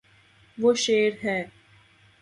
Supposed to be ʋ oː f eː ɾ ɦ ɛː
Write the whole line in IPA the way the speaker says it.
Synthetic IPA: ʋ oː ʃ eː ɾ ɦ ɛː